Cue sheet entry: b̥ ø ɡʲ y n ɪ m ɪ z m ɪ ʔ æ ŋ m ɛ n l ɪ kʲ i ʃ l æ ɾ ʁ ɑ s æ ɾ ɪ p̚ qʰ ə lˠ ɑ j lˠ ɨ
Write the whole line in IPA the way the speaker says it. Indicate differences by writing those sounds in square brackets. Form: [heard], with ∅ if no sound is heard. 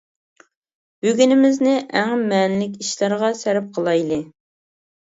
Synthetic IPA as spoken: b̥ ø ɡʲ y n ɪ m ɪ z [n] ɪ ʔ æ ŋ m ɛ n l ɪ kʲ i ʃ l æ ɾ ʁ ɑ s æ ɾ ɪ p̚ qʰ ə lˠ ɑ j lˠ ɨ